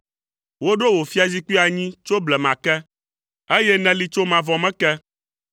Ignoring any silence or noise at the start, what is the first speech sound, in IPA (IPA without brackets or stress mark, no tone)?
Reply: w